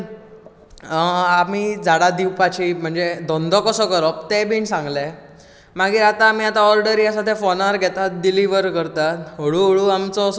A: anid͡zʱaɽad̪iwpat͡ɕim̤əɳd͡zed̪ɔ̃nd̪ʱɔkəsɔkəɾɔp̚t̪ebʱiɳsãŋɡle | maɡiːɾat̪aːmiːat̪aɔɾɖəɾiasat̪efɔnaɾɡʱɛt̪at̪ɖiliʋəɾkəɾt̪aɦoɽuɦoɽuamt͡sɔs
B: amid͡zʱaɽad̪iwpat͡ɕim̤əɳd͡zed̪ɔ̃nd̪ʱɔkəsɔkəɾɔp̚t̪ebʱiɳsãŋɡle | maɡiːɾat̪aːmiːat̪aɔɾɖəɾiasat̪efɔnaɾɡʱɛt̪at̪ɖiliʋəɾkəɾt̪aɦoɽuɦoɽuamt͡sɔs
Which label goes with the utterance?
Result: B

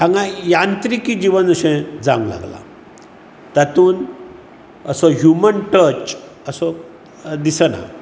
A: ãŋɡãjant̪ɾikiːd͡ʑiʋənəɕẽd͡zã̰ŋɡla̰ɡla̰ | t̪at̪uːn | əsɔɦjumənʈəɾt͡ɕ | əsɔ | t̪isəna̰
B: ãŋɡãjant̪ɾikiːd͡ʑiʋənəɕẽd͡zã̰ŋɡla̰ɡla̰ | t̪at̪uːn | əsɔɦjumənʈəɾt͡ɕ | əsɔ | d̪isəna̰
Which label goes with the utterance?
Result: B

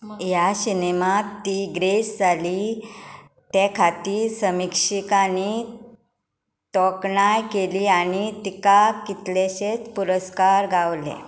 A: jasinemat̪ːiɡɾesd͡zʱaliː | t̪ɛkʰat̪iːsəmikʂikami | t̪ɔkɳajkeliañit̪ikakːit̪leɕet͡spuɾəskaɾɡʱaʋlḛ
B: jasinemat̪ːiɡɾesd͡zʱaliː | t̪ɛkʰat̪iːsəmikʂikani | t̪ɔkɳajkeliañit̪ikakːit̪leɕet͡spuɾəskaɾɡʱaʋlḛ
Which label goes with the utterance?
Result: B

